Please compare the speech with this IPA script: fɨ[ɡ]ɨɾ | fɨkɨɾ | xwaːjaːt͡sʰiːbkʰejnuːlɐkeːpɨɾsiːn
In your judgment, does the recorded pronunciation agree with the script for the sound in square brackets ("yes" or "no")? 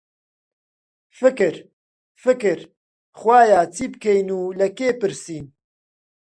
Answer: no